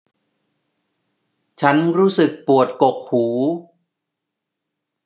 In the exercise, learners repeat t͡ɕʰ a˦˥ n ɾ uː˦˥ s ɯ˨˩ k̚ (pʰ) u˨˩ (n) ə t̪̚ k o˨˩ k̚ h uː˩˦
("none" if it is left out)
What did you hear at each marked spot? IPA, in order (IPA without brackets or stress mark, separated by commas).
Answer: p, none